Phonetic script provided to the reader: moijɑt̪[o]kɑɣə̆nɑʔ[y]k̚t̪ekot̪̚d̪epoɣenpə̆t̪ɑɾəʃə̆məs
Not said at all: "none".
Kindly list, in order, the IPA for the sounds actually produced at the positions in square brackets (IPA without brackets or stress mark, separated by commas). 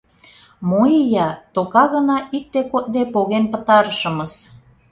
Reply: o, i